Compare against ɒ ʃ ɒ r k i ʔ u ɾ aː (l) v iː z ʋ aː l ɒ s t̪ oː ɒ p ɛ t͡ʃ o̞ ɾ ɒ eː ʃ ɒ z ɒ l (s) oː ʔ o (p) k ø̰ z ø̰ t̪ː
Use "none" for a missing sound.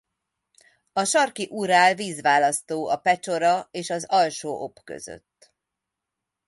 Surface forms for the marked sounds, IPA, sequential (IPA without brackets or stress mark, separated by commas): l, ʃ, p